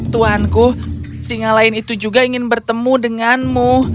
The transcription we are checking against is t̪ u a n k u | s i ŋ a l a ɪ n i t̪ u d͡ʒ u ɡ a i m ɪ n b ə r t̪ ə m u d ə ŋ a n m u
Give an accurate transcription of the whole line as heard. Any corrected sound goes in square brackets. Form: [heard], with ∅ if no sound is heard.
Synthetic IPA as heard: t̪ u a n k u | s i ŋ a l a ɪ n i t̪ u d͡ʒ u ɡ a i [ŋ] ɪ n b ə r t̪ ə m u d ə ŋ a n m u